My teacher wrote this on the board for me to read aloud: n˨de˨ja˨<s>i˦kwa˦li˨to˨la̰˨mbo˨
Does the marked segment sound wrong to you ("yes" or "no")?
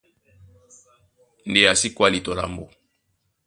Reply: no